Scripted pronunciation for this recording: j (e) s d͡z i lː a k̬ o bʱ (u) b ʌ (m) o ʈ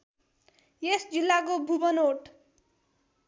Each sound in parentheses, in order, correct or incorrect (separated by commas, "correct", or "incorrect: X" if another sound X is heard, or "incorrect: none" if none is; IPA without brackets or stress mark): correct, correct, incorrect: n